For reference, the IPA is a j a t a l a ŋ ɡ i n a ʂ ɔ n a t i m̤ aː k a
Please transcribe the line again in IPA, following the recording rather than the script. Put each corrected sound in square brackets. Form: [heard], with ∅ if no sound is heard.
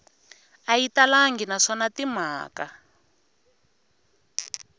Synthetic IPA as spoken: a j [i] t a l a ŋ ɡ i n a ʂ ɔ n a t i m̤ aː k a